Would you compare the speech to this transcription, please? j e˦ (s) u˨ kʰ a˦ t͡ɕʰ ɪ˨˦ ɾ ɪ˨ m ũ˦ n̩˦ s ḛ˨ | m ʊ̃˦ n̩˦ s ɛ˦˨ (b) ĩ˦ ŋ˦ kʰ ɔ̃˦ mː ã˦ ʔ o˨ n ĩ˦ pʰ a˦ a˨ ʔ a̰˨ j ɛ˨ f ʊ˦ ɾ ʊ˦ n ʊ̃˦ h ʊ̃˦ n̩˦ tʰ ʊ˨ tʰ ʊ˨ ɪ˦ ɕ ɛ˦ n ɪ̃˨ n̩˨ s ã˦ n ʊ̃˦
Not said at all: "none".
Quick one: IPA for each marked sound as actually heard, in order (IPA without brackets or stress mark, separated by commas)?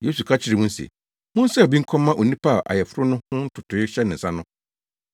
s, b